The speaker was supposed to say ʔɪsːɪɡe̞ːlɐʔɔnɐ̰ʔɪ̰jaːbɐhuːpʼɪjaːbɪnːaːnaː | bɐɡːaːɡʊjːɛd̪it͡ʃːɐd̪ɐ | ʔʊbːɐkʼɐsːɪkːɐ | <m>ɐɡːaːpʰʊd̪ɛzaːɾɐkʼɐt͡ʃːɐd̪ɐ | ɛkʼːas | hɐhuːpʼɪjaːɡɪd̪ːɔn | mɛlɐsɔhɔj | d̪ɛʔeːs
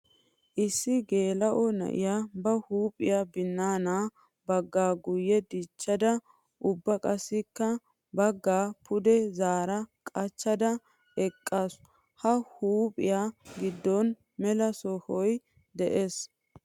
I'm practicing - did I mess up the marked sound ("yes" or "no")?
yes